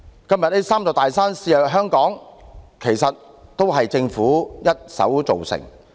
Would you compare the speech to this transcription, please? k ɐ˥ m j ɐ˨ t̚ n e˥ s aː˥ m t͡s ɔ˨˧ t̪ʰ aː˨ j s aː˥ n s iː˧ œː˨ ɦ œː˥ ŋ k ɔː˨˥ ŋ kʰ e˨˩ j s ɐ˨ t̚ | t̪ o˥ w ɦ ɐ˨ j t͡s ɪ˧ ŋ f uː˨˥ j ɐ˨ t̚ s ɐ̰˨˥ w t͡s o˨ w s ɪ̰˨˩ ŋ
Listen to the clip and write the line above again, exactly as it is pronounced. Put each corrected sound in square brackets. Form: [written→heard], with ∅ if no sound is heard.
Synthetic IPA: k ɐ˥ m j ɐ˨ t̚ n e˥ s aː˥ m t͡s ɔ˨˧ [t̪ʰ→t̪] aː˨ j s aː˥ n s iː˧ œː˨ ɦ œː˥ ŋ k ɔː˨˥ ŋ kʰ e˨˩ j s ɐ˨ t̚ | t̪ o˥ w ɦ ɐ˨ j t͡s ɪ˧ ŋ f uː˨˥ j [ɐ˨→ɐ˥] t̚ s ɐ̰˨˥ w t͡s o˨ w s ɪ̰˨˩ ŋ